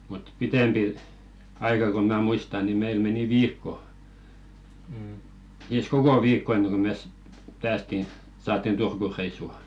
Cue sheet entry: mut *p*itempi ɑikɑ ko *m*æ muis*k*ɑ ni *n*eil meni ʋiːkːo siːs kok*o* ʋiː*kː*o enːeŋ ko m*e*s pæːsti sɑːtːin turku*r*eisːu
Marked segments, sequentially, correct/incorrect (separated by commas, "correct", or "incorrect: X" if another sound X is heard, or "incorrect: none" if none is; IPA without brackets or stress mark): correct, correct, incorrect: t, incorrect: m, correct, correct, correct, correct